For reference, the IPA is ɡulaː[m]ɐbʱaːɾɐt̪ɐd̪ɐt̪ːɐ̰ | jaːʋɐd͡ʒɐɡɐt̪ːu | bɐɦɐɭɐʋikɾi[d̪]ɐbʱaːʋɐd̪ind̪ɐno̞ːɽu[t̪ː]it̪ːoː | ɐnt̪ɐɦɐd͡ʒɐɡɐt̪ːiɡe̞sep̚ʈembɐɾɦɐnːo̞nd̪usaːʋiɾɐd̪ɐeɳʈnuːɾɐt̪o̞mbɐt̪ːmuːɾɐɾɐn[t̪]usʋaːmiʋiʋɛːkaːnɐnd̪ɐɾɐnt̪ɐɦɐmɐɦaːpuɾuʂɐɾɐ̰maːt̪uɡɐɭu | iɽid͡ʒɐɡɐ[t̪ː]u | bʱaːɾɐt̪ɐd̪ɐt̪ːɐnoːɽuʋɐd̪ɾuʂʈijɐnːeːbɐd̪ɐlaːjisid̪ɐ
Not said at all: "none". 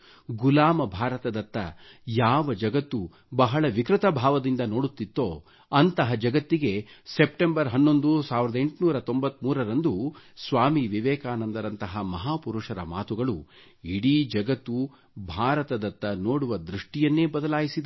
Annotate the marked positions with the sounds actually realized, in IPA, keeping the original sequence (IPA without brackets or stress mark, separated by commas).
m, t̪, t̪ː, d̪, t̪ː